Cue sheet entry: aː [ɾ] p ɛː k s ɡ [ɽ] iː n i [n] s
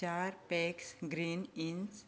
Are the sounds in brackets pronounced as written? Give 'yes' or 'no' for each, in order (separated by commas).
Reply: yes, no, yes